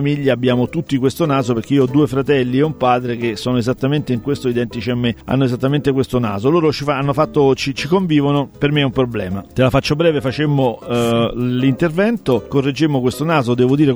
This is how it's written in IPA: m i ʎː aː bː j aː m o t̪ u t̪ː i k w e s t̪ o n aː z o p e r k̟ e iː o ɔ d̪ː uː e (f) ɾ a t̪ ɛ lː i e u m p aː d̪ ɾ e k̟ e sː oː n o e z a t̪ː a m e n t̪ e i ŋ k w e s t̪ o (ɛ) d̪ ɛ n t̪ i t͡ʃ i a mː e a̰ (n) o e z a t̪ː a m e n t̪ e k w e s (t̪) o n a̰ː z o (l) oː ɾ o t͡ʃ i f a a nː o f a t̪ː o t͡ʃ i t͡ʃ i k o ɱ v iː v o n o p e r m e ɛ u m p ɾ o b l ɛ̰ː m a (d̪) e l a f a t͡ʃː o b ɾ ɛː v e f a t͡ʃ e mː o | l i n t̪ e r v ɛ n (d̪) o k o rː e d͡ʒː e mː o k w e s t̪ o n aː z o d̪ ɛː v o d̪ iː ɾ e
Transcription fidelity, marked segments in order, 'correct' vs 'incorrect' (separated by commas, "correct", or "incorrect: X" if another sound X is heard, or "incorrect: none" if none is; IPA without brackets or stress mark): correct, incorrect: i, incorrect: nː, correct, correct, incorrect: t̪, incorrect: t̪